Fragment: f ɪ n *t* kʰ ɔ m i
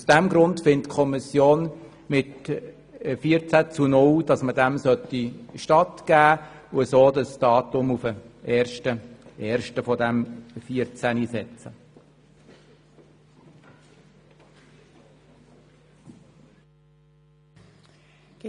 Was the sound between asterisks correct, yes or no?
yes